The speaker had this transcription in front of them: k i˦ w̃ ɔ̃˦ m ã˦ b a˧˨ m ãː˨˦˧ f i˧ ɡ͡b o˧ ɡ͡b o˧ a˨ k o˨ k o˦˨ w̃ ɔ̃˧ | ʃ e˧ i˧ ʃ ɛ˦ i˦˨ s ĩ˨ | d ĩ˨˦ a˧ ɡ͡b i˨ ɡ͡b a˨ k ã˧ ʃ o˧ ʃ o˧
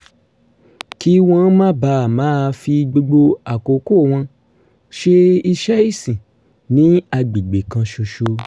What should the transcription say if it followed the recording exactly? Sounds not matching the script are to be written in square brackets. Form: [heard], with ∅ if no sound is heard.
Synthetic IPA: k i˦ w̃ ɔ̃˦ m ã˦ b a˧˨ m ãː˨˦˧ f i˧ ɡ͡b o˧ ɡ͡b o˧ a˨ k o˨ k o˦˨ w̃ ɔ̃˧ | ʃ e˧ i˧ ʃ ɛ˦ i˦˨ s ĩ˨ | [n] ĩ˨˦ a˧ ɡ͡b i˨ ɡ͡b [e˨] k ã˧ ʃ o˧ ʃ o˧

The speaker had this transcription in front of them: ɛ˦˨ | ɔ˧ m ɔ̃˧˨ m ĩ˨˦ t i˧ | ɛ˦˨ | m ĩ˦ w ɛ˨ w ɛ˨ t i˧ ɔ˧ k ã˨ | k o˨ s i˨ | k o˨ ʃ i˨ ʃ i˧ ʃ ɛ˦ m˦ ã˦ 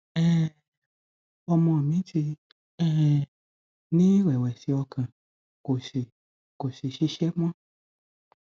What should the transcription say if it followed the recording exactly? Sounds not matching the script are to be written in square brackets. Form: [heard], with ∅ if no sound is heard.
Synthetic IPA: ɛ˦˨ | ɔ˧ m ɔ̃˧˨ m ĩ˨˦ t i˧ | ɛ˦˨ | [n] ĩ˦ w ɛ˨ w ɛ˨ [s] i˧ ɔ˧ k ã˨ | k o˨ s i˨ | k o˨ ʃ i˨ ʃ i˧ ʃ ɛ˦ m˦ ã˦

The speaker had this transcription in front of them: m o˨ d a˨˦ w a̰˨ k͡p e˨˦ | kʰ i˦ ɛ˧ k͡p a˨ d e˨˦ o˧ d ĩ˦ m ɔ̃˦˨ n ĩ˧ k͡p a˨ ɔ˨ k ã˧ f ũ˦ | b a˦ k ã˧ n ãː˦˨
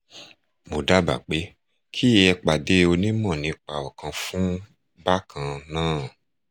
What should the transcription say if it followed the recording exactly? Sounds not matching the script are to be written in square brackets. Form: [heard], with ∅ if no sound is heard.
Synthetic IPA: m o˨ d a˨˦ [b] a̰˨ k͡p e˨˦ | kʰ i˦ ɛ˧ k͡p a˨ d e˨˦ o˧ [n] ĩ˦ m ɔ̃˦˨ n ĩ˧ k͡p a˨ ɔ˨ k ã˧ f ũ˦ | b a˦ k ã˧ n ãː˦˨

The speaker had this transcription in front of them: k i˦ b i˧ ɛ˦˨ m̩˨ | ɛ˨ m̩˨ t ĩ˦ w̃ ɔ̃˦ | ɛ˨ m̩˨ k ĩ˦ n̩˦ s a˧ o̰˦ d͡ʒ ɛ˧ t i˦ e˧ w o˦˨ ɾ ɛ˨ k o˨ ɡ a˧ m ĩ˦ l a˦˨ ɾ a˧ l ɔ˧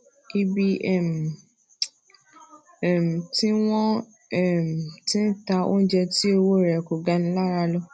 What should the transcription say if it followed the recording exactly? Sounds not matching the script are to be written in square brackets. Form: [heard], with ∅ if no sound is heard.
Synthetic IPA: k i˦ b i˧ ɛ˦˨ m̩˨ | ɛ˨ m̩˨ t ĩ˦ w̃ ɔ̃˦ | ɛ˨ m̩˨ [t] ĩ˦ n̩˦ [t] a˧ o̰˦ d͡ʒ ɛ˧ t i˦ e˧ w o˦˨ ɾ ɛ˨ k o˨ ɡ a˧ [n] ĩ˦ l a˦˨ ɾ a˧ l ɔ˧

